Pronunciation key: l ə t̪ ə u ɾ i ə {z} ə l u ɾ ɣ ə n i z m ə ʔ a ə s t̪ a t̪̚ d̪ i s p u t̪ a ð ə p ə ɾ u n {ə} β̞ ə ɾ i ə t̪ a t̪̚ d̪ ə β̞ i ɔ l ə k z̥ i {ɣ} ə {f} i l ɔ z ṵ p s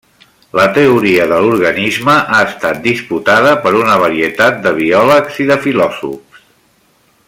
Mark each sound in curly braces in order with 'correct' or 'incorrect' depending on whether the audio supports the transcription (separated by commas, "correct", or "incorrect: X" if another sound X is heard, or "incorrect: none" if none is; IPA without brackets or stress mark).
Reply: incorrect: ð, correct, incorrect: ð, correct